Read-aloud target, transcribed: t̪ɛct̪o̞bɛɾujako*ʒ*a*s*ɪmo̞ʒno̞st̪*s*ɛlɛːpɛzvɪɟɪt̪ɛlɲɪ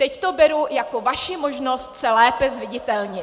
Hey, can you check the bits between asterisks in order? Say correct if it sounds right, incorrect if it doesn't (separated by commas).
incorrect, incorrect, correct